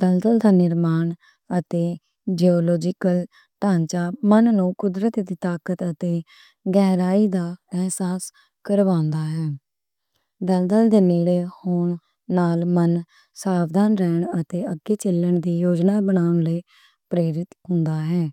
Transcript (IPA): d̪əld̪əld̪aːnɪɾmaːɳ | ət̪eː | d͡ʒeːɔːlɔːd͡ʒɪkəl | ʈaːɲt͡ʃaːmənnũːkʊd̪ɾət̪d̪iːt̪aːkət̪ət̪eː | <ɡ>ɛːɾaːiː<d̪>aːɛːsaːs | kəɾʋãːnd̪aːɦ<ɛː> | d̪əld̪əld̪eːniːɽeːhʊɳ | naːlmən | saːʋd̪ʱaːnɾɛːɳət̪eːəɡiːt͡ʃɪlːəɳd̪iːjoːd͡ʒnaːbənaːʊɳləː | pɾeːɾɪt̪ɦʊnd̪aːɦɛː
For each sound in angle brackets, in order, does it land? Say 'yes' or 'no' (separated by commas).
yes, yes, yes